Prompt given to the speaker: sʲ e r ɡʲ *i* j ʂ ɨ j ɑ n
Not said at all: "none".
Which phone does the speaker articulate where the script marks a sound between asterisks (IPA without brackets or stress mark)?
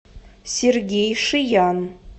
e